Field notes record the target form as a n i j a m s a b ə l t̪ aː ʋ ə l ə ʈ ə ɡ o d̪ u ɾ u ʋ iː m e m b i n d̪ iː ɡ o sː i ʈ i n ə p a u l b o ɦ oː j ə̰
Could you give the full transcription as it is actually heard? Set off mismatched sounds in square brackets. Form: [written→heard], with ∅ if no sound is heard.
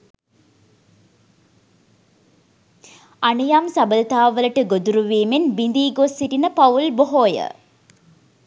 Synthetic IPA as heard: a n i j a m s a b ə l t̪ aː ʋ ə l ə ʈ ə ɡ o d̪ u ɾ u ʋ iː m e [m→n] b i n d̪ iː ɡ o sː i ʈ i n ə p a u l b o ɦ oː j ə̰